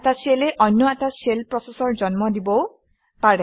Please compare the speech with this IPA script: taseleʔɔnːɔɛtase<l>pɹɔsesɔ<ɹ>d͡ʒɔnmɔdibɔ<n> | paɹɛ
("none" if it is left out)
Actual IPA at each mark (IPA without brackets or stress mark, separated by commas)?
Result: l, ɹ, none